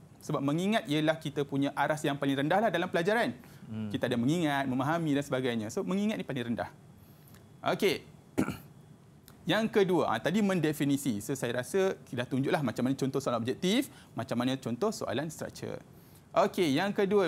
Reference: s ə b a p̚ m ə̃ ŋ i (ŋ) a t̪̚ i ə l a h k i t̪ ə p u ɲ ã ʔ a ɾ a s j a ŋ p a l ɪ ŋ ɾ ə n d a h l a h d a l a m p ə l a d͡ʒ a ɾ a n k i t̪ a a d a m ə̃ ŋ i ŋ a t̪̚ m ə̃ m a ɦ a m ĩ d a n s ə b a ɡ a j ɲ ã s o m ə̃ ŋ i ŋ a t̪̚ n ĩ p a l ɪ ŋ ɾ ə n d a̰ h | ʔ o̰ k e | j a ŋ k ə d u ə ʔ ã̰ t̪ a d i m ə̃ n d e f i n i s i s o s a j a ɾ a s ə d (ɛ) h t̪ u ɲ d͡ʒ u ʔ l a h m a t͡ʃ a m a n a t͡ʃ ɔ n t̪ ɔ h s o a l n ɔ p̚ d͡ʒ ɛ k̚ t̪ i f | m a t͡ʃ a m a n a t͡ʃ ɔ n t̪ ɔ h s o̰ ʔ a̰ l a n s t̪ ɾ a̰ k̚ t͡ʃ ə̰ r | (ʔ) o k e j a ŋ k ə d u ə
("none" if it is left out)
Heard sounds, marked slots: ŋ, a, ʔ

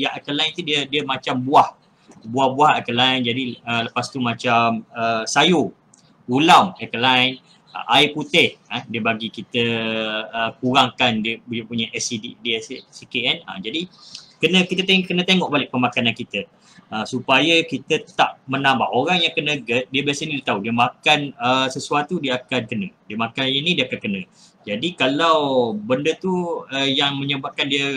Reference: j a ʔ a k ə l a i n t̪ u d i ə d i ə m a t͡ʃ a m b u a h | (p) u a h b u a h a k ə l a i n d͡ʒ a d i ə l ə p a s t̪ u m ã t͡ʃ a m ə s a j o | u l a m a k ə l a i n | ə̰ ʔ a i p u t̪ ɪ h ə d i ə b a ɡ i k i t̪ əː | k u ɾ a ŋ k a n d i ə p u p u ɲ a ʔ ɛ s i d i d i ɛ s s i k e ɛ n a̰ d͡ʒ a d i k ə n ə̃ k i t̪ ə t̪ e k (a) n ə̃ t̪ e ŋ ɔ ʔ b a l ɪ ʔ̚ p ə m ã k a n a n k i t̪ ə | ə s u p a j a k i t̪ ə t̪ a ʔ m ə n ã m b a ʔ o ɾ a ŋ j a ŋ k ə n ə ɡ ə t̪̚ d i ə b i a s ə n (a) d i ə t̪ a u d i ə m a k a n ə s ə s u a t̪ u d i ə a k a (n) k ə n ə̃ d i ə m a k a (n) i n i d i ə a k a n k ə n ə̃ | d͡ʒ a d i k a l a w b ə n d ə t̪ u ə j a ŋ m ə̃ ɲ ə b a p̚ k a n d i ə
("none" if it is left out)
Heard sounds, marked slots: b, ə, i, n, n

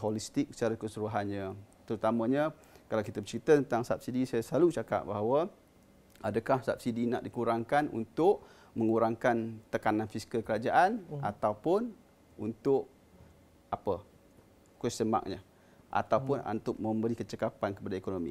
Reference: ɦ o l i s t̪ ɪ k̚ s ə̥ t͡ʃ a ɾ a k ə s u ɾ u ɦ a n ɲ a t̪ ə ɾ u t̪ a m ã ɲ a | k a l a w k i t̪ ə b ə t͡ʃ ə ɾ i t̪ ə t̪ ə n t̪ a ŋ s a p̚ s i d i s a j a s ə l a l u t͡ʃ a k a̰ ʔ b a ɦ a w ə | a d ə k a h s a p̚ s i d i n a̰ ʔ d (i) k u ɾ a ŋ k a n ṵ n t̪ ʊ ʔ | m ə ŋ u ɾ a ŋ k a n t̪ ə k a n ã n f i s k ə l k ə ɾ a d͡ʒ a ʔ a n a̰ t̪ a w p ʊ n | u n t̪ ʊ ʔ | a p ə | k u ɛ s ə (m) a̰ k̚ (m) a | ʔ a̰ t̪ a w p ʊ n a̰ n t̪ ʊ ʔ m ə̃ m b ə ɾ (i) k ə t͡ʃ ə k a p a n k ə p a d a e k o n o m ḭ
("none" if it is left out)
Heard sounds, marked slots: i, m, ɲ, i

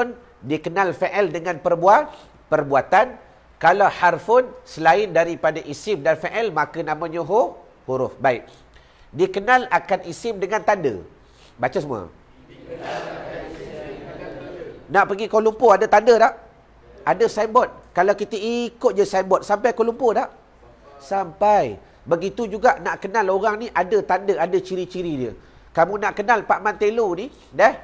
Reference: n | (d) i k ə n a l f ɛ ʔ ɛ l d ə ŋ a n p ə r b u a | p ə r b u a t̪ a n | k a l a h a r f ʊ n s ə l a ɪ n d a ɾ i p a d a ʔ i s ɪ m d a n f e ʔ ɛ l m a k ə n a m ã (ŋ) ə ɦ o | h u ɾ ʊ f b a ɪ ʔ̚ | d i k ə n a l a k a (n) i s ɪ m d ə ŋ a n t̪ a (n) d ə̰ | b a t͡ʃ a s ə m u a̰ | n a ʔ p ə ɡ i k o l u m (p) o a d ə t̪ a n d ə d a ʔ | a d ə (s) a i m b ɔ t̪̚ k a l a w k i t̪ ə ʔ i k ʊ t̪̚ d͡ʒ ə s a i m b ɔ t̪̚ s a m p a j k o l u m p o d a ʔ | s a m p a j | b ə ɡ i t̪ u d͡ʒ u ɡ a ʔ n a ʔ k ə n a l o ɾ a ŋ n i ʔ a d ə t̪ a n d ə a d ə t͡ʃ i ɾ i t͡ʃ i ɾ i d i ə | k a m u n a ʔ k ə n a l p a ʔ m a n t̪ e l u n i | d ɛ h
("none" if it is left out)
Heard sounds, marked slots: d, ɲ, n, n, p, s

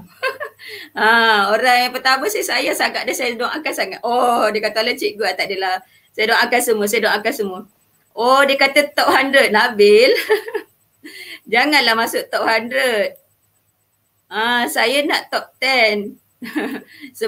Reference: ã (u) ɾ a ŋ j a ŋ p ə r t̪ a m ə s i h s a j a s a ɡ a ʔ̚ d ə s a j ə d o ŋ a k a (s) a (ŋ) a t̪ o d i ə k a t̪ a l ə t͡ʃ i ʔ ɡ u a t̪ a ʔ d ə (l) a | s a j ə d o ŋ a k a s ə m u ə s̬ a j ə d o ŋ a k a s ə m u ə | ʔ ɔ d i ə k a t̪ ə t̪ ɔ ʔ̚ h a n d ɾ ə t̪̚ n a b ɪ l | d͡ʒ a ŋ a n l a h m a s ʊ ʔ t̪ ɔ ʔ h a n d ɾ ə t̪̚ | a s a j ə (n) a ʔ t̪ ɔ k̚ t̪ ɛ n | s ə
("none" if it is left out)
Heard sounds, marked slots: o, s, ŋ, l, n

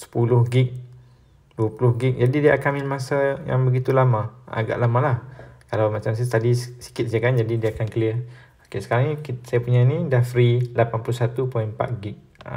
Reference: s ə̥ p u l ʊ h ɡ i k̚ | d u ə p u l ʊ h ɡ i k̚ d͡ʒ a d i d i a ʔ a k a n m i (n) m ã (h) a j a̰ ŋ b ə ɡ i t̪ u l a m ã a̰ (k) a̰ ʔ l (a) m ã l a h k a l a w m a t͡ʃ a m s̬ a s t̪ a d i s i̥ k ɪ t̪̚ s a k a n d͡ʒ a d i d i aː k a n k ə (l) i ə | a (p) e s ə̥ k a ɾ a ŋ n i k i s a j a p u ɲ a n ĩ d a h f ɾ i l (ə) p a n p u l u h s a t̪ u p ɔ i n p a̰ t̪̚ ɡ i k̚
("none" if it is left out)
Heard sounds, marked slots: n, s, ɡ, a, l, k, a

